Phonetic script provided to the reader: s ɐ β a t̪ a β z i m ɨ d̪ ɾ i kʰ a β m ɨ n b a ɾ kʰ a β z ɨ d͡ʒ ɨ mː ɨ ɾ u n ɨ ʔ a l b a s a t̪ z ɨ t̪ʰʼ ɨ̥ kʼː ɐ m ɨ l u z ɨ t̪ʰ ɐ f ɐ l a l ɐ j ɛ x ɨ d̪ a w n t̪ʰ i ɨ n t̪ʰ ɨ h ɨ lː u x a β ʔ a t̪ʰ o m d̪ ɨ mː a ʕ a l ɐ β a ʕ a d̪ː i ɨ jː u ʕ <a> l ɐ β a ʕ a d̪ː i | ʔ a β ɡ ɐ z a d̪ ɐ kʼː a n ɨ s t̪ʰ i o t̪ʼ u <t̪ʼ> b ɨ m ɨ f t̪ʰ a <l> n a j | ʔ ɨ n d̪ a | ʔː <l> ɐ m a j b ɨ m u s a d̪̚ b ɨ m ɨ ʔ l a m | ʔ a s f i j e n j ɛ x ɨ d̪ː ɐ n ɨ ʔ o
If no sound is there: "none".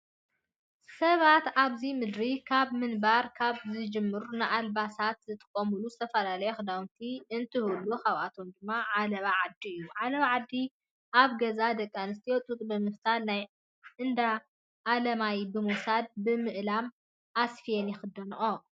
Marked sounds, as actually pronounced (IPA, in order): a, t̪ʼ, l, l

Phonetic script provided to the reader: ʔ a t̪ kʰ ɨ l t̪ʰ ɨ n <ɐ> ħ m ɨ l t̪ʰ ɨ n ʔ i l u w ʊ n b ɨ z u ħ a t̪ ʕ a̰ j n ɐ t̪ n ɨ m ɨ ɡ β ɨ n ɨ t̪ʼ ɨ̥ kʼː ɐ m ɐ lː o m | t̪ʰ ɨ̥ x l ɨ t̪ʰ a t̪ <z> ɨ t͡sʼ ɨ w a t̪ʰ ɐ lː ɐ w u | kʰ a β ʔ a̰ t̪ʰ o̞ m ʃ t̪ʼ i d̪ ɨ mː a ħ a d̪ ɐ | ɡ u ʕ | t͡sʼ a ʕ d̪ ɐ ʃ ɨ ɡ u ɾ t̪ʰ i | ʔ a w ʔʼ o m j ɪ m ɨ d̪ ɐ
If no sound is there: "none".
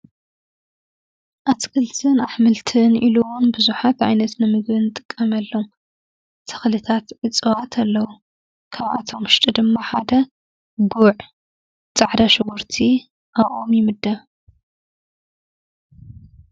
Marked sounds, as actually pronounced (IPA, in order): a, ʕ

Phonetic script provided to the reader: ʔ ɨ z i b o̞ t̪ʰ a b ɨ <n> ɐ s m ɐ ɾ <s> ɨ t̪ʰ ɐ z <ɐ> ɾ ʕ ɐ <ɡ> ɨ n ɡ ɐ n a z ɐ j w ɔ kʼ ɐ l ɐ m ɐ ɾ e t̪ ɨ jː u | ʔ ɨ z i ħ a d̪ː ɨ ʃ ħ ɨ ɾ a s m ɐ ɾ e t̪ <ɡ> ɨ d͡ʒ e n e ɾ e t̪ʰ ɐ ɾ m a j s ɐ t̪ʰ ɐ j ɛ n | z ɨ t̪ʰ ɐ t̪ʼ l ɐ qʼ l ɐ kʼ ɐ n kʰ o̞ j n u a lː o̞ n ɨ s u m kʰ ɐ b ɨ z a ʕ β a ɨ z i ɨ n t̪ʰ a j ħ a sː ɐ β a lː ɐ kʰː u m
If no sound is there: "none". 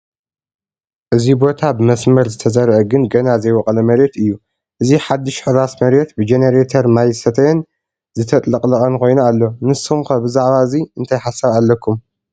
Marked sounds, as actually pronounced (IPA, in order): m, z, ɐ, ɡ, b

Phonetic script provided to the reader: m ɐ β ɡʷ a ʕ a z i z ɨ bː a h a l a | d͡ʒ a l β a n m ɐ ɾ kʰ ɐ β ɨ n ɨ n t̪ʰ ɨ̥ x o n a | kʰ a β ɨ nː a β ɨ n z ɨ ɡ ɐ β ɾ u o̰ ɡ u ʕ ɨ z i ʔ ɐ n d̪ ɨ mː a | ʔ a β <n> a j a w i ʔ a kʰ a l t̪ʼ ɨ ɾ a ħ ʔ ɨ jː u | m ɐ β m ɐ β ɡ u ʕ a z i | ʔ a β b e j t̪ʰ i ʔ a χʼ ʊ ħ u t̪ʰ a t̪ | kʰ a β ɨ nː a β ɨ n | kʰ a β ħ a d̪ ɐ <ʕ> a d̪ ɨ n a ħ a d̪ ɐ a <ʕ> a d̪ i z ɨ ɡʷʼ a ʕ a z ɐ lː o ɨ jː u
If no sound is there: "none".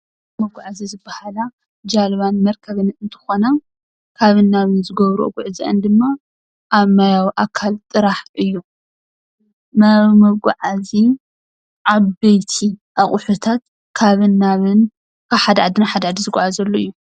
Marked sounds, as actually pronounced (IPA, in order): m, ʕ, ʕ

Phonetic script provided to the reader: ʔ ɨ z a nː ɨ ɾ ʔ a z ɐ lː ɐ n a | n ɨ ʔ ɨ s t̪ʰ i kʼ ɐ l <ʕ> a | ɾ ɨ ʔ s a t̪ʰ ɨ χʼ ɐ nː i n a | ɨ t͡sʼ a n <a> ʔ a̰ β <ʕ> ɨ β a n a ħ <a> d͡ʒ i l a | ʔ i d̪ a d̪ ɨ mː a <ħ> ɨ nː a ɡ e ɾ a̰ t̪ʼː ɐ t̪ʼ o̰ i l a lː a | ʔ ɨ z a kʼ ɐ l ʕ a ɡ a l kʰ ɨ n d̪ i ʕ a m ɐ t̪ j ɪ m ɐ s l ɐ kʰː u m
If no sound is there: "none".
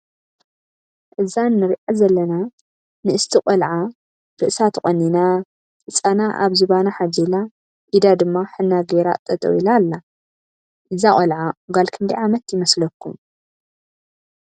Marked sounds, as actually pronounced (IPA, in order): ʕ, a, z, a, ħ

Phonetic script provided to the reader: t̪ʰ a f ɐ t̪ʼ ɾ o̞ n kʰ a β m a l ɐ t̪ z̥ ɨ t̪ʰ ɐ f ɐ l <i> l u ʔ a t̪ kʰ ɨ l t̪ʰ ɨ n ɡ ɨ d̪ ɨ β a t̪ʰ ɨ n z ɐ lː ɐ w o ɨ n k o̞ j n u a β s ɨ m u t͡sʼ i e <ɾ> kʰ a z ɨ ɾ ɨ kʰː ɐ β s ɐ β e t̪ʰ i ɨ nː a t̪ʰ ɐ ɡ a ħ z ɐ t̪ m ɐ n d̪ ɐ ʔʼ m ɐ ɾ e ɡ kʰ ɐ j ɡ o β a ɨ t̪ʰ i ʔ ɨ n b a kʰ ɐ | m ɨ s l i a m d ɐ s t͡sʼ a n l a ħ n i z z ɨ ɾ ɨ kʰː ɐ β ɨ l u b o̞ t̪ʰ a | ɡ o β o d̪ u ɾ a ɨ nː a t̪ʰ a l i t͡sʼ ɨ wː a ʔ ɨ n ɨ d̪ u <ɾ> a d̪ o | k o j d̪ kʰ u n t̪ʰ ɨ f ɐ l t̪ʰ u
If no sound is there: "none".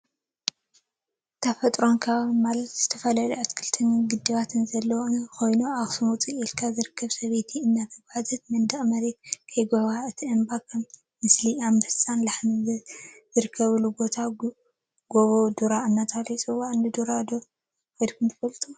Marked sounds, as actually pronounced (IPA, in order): a, l, ɾ

